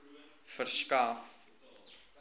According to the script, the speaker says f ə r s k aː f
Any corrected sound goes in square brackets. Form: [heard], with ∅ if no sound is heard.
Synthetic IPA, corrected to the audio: f ə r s k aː f